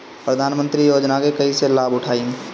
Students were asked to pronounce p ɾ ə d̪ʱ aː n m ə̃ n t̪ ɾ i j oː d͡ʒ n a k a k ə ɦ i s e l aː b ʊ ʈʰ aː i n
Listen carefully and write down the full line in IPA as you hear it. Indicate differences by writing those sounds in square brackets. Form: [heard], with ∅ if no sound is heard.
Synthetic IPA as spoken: p ɾ ə d̪ʱ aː n m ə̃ n t̪ ɾ i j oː d͡ʒ n a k [e] k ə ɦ i s e l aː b ʊ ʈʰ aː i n